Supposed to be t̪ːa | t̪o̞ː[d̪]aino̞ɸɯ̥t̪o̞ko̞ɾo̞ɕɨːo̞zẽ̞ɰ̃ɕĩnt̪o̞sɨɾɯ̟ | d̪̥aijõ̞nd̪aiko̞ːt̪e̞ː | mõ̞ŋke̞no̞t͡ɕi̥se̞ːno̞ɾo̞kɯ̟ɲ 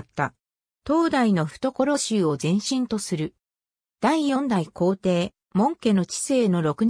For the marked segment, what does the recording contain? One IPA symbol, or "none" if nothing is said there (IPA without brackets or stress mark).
d̪